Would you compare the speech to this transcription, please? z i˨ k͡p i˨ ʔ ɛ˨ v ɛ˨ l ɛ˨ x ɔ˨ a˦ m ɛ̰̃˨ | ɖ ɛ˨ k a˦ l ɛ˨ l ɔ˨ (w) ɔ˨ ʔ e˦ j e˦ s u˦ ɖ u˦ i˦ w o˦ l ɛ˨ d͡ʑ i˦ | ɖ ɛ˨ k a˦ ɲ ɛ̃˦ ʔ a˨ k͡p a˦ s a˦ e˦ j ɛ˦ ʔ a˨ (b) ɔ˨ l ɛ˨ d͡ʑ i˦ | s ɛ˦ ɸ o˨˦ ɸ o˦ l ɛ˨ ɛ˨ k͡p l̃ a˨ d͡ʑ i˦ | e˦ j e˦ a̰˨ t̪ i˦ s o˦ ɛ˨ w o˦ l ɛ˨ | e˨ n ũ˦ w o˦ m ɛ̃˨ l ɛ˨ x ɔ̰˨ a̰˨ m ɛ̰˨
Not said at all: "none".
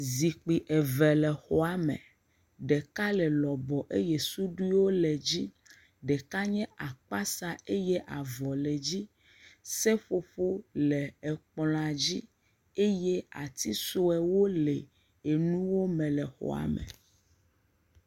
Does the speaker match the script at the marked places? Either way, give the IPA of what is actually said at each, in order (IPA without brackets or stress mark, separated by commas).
b, v